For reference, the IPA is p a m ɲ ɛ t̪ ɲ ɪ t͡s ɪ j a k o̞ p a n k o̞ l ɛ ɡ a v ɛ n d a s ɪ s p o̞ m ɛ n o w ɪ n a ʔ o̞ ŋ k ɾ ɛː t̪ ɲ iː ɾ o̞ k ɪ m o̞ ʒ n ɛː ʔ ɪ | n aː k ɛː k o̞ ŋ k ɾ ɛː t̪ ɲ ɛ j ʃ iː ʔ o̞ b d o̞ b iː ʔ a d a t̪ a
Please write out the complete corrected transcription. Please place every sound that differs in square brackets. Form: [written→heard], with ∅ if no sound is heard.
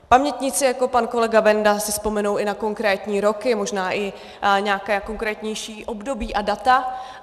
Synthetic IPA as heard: p a m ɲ ɛ t̪ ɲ ɪ t͡s ɪ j a k o̞ p a n k o̞ l ɛ ɡ a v ɛ n d a s ɪ s p o̞ m ɛ n o w ɪ n a [ʔ→k] o̞ ŋ k ɾ ɛː t̪ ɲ iː ɾ o̞ k ɪ m o̞ ʒ n [ɛː→aː] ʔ ɪ | [n→ɲ] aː k ɛː k o̞ ŋ k ɾ ɛː t̪ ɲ ɛ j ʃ iː ʔ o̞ b d o̞ b iː ʔ a d a t̪ a